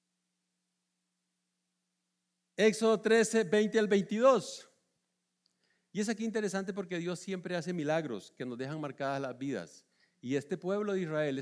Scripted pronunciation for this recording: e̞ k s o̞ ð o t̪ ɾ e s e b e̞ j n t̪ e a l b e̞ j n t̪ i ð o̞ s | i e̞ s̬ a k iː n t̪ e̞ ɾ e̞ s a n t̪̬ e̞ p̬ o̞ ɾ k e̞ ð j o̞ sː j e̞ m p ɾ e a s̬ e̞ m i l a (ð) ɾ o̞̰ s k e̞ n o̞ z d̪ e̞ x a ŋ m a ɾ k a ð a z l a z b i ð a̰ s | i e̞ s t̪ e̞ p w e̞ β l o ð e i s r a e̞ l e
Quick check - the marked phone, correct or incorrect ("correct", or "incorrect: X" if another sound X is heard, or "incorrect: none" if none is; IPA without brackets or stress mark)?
incorrect: ɣ